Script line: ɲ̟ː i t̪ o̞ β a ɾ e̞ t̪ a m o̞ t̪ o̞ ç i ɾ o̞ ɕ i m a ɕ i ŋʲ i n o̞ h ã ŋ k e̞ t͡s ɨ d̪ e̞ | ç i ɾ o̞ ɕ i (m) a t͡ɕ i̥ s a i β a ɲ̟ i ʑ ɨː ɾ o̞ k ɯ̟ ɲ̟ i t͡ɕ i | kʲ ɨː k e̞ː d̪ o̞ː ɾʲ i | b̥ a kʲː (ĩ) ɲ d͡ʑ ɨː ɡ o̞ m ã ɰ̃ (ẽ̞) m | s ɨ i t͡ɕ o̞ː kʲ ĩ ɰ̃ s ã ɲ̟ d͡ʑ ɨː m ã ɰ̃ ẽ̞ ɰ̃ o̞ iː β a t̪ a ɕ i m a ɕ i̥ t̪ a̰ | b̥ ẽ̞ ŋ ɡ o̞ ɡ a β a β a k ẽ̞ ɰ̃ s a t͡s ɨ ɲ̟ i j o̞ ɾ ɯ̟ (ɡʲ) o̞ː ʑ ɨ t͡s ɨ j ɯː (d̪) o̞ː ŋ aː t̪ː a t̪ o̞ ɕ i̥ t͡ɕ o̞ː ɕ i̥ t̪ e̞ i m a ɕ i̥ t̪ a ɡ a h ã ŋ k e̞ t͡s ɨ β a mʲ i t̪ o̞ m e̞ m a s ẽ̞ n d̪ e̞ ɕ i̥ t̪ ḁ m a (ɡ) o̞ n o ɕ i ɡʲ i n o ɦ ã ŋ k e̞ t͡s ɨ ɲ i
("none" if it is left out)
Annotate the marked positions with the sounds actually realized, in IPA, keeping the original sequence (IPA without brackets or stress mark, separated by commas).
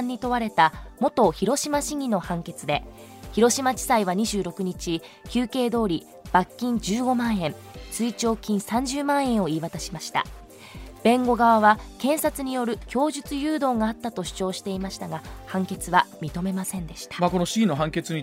m, ĩ, ẽ̞, kʲ, d̪, k